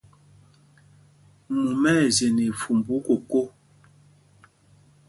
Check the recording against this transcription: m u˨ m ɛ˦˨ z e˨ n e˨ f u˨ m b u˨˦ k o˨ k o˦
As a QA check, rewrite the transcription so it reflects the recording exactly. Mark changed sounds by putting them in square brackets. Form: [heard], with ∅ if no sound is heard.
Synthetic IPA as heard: m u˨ m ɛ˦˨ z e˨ n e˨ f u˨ m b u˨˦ k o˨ k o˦